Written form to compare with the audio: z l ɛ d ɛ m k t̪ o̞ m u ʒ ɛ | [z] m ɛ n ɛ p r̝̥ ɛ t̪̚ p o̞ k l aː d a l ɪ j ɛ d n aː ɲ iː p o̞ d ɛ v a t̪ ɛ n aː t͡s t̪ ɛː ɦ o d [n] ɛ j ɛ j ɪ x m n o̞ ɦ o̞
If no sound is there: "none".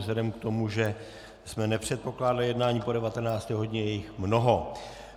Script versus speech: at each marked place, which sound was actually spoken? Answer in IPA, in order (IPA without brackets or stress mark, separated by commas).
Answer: s, ɲ